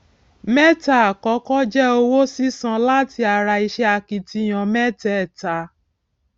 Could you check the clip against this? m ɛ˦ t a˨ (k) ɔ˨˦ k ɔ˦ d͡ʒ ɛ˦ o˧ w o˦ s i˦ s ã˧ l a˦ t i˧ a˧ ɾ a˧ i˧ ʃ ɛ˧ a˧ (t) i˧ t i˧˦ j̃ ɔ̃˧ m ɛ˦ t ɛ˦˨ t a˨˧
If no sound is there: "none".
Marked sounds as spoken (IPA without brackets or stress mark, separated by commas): k, k